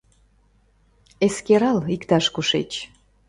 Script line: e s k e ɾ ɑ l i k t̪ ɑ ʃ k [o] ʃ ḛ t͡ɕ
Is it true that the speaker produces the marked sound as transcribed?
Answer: no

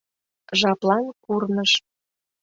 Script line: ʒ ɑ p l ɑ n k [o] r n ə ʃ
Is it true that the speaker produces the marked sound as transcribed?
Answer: no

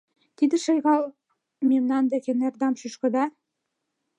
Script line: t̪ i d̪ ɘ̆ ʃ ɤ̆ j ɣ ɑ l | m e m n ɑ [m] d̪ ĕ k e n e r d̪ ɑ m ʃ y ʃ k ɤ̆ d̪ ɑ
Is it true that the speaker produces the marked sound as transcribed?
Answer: no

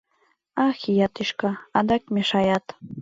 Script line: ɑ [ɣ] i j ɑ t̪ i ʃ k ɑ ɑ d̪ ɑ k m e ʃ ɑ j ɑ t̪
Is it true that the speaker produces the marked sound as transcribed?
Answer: no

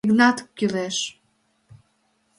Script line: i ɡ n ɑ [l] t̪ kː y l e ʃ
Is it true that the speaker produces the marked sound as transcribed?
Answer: no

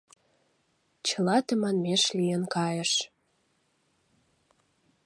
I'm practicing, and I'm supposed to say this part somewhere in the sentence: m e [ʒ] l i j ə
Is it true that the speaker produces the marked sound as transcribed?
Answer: no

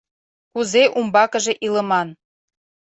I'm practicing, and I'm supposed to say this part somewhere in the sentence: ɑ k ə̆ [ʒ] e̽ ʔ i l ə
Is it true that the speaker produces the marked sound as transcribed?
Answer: yes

